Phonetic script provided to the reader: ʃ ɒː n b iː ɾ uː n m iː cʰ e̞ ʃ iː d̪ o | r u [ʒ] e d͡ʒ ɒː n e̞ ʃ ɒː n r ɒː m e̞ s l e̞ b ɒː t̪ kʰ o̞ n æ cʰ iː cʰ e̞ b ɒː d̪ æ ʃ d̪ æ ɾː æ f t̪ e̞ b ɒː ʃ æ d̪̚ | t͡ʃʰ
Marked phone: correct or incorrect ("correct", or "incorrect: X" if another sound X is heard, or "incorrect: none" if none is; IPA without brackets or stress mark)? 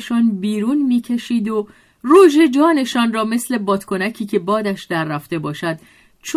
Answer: correct